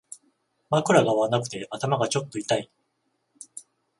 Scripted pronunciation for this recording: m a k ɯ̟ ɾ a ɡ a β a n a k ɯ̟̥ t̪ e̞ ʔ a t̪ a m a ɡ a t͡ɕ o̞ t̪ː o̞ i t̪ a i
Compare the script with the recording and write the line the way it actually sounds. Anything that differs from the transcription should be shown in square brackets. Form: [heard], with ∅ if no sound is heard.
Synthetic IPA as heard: m a k ɯ̟ ɾ a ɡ a β a n a k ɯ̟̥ t̪ e̞ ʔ a t̪ a m a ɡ a t͡ɕ o̞ t̪ː o̞ i t̪ a i